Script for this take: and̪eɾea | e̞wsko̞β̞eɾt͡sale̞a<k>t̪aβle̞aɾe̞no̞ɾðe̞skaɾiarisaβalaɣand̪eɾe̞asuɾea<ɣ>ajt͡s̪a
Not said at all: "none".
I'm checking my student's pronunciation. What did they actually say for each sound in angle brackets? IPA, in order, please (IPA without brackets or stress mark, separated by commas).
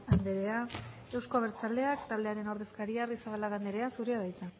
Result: k, ð